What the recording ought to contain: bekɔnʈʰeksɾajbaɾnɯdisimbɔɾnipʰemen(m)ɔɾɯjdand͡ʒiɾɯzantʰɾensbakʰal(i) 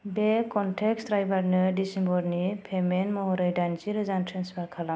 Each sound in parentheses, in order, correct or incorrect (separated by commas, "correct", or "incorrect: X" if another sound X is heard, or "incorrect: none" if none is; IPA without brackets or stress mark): correct, incorrect: a